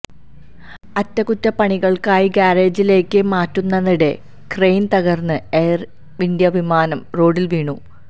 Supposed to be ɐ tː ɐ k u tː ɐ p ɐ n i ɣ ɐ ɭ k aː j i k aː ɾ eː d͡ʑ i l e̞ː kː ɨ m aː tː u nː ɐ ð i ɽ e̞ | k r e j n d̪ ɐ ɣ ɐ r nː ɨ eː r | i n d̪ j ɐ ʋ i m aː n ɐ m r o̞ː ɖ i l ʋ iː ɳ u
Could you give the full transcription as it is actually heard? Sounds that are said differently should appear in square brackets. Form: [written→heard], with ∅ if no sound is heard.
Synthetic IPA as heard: ɐ tː ɐ k u tː ɐ p ɐ [n→ɳ] i ɣ ɐ ɭ k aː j i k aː ɾ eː d͡ʑ i l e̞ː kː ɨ m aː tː u nː ɐ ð i ɽ e̞ | k r e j n [d̪→t̪] ɐ ɣ ɐ r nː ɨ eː r | i n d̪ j ɐ ʋ i m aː n ɐ m r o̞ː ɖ i l ʋ iː ɳ u